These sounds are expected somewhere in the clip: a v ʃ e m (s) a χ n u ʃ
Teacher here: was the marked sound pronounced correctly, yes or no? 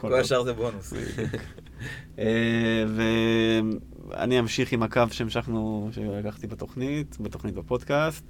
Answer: no